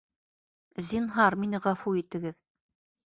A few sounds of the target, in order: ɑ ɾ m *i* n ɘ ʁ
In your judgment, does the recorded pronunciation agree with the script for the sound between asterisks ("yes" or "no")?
yes